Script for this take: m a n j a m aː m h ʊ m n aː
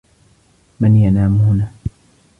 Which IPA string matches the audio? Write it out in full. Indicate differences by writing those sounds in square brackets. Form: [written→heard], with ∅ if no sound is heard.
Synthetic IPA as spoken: m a n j a [m→n] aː m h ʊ [m→∅] n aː